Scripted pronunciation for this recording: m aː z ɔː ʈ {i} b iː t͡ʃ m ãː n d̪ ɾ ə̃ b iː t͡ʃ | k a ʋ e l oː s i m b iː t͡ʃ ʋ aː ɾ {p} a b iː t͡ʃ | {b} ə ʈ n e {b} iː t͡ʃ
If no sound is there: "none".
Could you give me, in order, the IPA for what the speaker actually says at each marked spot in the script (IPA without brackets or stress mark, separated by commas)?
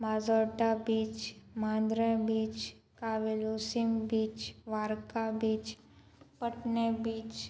a, k, p, b